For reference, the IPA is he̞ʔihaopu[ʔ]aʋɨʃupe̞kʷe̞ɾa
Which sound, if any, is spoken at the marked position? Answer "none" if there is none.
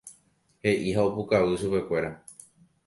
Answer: k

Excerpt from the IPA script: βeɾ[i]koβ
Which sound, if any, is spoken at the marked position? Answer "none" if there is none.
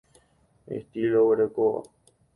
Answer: e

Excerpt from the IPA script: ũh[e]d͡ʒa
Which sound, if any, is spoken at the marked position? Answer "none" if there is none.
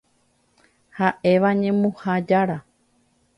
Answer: a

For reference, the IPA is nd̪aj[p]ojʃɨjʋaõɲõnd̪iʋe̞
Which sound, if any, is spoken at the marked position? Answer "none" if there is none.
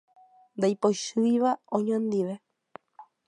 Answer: p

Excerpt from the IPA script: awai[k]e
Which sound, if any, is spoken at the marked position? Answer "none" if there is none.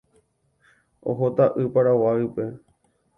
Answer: p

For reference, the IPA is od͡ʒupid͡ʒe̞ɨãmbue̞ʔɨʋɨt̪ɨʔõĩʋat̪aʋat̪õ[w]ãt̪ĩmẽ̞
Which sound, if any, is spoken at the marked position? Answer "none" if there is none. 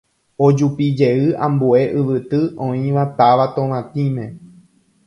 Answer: ʋ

